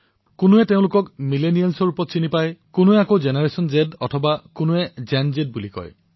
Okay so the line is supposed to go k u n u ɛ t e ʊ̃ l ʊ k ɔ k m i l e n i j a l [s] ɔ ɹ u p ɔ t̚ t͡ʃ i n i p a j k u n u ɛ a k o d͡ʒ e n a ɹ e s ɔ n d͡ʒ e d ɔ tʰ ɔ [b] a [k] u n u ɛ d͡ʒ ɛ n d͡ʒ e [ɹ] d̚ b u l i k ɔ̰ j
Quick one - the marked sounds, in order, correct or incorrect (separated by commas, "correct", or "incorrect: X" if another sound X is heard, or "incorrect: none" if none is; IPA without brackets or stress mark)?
correct, correct, correct, incorrect: none